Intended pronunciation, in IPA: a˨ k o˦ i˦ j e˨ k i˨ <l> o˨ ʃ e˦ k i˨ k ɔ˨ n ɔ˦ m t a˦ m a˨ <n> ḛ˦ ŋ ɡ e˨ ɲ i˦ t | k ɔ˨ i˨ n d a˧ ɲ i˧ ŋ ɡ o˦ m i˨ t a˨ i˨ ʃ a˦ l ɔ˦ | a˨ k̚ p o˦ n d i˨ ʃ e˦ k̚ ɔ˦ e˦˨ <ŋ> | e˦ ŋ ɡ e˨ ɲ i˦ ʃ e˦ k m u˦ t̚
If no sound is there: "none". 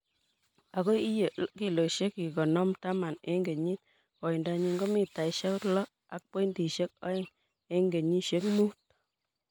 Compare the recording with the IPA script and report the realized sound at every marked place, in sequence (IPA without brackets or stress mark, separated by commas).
l, n, ŋ